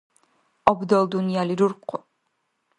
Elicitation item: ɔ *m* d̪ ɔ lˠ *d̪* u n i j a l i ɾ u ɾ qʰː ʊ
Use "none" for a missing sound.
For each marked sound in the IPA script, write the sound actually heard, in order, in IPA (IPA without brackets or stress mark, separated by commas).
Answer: b, d̪